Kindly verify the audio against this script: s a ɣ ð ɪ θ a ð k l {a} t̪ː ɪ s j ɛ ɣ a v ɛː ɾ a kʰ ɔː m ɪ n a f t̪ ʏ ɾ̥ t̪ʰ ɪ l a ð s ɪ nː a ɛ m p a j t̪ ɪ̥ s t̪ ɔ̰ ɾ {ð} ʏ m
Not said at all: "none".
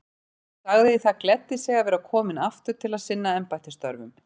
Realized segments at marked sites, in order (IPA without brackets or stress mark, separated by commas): ɛ, v